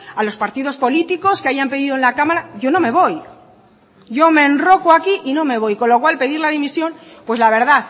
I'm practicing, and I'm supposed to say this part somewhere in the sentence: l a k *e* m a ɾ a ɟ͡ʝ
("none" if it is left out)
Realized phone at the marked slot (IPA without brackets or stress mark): a